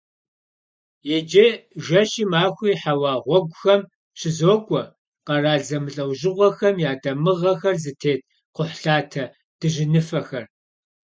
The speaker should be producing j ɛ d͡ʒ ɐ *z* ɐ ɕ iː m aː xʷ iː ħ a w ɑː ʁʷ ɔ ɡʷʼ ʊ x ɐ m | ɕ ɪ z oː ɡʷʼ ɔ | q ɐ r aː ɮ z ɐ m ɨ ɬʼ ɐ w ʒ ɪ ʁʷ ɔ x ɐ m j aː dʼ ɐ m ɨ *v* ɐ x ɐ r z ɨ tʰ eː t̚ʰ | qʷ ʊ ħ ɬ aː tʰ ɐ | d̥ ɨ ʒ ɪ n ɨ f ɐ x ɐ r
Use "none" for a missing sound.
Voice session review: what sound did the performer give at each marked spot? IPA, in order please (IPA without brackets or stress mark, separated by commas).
ʒ, ʁ